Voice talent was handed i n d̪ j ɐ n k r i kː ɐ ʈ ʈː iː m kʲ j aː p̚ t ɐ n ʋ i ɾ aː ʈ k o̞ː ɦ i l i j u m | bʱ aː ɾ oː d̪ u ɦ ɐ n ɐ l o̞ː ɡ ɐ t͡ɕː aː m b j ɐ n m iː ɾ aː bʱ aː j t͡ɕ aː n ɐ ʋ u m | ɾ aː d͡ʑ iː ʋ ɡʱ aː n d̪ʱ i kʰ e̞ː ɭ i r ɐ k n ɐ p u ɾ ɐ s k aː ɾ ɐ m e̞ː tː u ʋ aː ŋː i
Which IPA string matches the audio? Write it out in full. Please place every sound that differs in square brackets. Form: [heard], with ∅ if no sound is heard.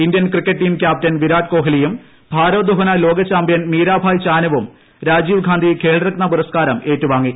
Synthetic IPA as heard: i n d̪ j ɐ n k r i kː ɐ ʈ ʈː iː m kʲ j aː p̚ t ɐ n ʋ i ɾ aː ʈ k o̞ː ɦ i l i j u m | bʱ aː ɾ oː d̪ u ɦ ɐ n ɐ l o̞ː ɡ ɐ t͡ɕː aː m b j ɐ n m iː ɾ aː bʱ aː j t͡ɕ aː n ɐ ʋ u m | ɾ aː d͡ʑ iː ʋ ɡʱ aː n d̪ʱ i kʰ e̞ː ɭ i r ɐ k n ɐ p u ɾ ɐ s k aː ɾ ɐ m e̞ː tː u ʋ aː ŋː i